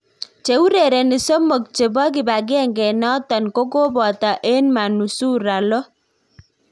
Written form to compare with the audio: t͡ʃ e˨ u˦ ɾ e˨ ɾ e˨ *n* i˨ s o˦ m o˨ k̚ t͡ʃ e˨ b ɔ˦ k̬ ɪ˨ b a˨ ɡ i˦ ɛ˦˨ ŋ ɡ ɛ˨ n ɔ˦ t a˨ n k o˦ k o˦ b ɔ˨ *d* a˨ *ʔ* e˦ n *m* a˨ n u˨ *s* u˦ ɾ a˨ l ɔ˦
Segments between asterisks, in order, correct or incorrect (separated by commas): correct, incorrect, correct, correct, correct